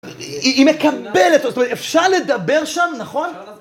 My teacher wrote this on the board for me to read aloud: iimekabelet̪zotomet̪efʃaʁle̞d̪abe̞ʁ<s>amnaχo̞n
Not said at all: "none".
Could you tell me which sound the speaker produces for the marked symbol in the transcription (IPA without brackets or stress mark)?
ʃ